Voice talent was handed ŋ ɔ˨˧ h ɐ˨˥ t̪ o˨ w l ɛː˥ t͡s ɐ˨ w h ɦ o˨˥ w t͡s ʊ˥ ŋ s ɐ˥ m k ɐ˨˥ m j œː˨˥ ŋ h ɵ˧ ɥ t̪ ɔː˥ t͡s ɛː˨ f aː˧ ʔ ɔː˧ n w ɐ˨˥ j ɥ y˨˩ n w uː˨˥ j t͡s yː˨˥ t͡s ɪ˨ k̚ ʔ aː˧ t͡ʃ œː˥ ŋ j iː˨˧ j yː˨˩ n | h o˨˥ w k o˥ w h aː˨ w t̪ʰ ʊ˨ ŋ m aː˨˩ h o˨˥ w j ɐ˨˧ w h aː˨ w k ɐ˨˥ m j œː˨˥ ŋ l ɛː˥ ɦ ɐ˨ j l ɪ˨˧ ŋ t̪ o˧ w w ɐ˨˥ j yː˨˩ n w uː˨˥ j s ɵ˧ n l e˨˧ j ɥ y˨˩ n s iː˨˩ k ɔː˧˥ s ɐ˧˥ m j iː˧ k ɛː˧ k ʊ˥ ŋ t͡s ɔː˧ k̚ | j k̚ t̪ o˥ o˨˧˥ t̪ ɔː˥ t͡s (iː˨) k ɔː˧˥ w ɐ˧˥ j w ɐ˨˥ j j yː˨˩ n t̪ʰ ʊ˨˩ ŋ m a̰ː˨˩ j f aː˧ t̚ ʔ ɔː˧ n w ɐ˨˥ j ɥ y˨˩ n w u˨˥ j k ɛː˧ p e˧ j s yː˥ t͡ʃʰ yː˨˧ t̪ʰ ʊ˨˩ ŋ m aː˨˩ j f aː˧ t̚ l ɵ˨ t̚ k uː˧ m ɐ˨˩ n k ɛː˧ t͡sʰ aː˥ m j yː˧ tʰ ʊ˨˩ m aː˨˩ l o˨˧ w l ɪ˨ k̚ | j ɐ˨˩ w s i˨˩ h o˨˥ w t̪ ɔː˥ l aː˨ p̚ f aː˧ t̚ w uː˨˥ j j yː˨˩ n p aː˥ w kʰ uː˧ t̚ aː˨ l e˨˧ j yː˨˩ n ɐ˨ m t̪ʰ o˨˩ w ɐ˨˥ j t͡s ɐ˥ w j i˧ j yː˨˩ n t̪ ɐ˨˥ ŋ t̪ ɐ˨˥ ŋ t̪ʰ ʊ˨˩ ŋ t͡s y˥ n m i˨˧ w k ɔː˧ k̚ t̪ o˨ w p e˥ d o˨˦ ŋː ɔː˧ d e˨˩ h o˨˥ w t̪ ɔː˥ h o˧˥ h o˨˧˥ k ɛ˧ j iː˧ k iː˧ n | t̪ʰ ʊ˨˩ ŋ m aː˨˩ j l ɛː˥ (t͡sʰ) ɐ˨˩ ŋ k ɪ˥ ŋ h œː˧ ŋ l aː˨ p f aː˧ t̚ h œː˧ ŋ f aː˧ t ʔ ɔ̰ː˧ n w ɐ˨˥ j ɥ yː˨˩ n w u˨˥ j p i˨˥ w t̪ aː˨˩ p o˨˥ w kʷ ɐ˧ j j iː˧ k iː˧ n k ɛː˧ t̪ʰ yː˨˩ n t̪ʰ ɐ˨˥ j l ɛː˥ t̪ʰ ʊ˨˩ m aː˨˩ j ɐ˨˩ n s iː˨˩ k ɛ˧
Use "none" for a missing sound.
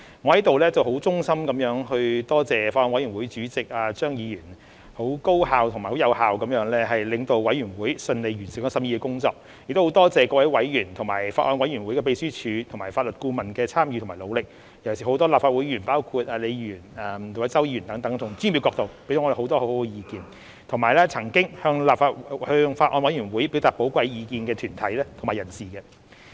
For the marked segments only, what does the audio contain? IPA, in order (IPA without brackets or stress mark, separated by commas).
ɛː˨, t͡sʰ